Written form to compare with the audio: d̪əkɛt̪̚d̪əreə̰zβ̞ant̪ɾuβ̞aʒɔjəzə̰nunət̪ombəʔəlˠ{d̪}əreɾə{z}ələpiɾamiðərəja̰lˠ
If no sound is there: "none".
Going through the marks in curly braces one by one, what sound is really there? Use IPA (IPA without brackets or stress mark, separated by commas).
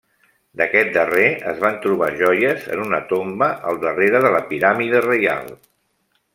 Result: d̪, ð